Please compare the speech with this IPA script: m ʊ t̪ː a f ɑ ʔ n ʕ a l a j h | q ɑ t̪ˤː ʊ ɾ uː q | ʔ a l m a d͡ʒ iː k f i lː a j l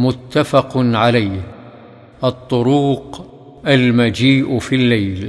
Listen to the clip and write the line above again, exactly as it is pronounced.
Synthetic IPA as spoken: m ʊ t̪ː a f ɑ q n ʕ a l a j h | ʔ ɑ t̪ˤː ʊ ɾ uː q | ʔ a l m a d͡ʒ iː ʔ f i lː a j l